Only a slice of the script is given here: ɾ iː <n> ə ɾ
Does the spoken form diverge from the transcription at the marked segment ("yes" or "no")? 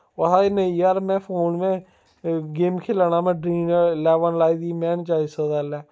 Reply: no